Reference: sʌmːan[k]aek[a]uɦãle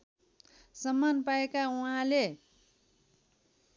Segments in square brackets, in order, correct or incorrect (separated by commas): incorrect, correct